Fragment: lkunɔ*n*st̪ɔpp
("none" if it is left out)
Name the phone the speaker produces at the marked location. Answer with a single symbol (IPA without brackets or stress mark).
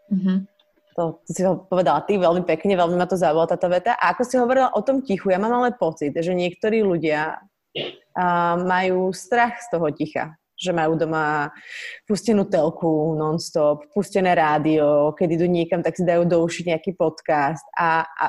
n